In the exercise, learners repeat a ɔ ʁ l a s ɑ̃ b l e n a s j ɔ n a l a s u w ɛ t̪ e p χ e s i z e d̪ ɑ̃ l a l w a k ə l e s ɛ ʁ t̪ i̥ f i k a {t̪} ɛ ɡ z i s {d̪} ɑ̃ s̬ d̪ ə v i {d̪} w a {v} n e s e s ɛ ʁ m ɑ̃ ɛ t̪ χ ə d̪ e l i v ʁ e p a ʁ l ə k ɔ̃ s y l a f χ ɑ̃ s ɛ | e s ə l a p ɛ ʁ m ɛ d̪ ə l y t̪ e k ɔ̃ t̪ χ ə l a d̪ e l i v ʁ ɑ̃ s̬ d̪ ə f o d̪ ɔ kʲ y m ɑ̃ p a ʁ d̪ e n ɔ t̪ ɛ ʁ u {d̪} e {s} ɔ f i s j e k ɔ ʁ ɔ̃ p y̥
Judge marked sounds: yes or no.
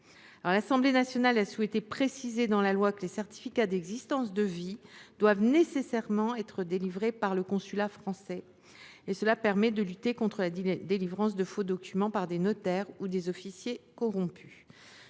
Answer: no, no, yes, yes, yes, no

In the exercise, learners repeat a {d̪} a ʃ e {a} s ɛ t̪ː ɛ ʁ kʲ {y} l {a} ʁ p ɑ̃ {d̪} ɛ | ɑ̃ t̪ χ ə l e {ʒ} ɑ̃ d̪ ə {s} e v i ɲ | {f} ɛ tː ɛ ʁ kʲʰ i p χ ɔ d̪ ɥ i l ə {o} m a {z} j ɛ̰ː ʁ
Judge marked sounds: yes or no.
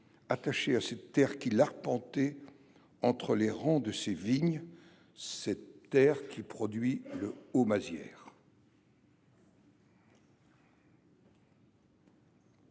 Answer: no, yes, no, yes, no, no, yes, no, yes, yes

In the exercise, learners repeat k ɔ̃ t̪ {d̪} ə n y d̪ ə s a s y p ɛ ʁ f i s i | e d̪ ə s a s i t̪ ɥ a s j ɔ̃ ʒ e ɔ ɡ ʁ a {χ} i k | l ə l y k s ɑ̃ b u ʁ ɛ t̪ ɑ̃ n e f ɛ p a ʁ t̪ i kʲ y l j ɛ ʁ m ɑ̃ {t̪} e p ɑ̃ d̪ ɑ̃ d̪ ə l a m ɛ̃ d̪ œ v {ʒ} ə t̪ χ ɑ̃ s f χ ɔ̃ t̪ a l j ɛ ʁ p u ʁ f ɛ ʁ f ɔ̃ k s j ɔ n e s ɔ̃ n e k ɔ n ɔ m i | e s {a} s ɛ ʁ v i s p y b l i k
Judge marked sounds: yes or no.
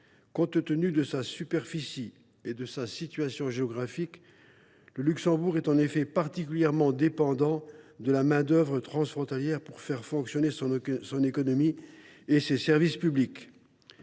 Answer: no, no, no, no, no

